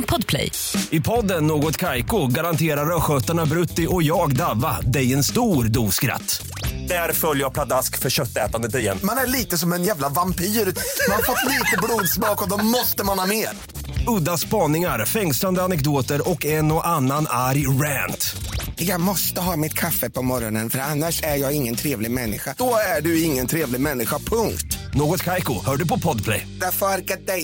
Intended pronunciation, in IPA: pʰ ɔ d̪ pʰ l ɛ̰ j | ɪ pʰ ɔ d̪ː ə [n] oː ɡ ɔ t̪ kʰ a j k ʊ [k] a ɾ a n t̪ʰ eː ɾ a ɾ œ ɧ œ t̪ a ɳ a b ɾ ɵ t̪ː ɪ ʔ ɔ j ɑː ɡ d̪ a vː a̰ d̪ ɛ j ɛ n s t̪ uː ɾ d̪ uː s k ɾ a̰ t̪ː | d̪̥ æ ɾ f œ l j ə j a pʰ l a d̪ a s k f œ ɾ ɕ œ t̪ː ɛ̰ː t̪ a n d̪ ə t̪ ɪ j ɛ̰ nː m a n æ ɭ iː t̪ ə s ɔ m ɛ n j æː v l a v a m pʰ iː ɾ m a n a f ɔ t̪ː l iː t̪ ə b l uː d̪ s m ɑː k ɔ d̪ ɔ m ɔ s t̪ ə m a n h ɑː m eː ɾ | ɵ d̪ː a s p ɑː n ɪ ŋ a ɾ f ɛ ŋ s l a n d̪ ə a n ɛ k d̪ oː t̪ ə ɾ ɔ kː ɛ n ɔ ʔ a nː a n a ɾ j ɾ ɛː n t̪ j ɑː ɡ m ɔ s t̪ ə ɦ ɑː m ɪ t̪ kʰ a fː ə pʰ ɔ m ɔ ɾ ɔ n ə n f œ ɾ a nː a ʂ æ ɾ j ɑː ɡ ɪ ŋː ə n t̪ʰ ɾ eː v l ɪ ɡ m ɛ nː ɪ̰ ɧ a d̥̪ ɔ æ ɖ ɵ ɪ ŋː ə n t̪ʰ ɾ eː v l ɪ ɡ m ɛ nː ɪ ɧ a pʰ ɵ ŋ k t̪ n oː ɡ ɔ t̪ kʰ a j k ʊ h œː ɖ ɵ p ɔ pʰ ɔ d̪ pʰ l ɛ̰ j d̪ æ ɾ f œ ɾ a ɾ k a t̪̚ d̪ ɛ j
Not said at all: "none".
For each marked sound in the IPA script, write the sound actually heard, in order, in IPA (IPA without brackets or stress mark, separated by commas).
nː, ɡ